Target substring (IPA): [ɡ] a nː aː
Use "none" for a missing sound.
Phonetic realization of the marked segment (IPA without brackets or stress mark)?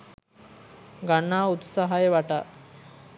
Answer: ɡ